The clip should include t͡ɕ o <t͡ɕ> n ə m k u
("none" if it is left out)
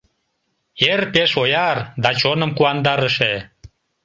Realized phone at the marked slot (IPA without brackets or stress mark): none